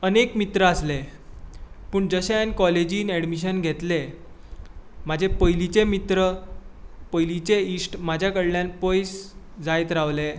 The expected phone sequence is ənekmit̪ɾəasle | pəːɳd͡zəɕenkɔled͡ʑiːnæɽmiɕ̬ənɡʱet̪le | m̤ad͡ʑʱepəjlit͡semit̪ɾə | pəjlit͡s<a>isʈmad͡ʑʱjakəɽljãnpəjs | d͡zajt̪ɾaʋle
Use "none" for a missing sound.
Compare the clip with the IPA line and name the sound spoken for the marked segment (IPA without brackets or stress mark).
e